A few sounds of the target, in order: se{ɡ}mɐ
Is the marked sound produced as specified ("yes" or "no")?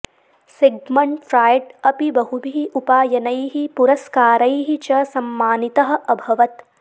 yes